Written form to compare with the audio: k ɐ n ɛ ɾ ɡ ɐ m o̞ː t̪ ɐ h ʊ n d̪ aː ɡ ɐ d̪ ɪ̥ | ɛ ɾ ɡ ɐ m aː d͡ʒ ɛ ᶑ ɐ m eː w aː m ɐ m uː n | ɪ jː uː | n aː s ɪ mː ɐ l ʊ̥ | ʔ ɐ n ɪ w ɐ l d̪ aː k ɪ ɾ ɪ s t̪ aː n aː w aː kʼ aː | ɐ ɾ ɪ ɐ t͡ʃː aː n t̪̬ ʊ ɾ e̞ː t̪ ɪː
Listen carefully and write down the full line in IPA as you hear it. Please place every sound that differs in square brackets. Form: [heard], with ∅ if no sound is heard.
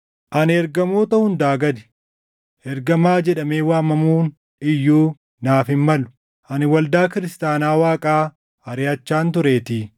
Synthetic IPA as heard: [ʔ] ɐ n ɛ ɾ ɡ ɐ m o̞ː t̪ ɐ h ʊ n d̪ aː ɡ ɐ d̪ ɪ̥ | ɛ ɾ ɡ ɐ m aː d͡ʒ ɛ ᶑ ɐ m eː w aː m ɐ m uː n | ɪ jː uː | n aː [f] ɪ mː ɐ l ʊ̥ | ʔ ɐ n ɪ w ɐ l d̪ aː k ɪ ɾ ɪ s t̪ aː n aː w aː kʼ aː | ɐ ɾ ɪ ɐ t͡ʃː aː n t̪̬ ʊ ɾ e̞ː t̪ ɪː